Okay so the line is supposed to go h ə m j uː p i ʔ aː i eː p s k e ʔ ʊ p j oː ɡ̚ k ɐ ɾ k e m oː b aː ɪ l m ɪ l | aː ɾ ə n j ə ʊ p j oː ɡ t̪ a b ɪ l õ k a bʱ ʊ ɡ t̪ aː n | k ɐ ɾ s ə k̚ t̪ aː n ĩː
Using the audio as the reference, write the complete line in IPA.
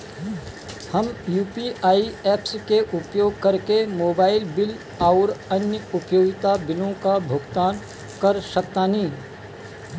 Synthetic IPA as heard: h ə m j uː p i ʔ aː i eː p s k e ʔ ʊ p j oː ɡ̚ k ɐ ɾ k e m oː b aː ɪ l b ɪ l | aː ɾ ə n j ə ʊ p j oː ɡ t̪ a b ɪ l õ k a bʱ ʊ ɡ t̪ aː n | k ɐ ɾ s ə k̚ t̪ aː n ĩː